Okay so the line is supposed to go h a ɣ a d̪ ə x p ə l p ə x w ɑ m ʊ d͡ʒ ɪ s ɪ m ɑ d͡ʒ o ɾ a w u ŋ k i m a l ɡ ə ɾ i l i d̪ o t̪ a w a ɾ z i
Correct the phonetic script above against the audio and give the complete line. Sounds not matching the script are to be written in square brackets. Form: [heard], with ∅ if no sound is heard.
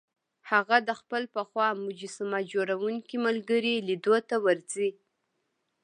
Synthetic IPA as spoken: h a ɣ a d̪ ə x p ə l p ə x w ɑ m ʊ d͡ʒ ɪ s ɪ m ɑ d͡ʒ o ɾ a w u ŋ k i m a l ɡ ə ɾ i l i d̪ o t̪ a w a ɾ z i